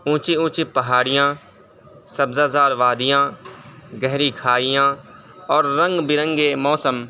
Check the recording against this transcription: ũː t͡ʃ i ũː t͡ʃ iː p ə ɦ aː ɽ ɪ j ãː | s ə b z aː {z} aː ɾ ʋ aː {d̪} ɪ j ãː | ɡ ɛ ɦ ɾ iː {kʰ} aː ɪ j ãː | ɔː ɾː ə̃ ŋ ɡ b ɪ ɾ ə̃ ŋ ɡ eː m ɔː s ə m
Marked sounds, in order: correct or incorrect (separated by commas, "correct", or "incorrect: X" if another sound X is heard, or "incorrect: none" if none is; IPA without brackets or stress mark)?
correct, correct, correct